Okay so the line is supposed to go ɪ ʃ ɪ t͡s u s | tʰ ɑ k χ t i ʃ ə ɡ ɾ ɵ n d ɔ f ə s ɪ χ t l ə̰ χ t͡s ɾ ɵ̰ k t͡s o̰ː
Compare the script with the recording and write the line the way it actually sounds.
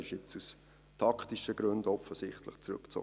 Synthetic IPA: ɪ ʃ ɪ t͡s u s | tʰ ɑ k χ t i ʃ ə ɡ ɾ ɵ n d ɔ f ə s ɪ χ t l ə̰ χ t͡s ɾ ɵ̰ k t͡s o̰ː